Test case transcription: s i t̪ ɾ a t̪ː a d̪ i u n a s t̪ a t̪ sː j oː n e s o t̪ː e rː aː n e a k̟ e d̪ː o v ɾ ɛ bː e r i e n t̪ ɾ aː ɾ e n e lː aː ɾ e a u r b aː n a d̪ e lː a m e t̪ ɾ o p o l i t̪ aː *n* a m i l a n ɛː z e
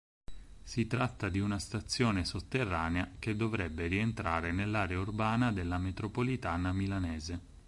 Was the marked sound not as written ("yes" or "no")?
no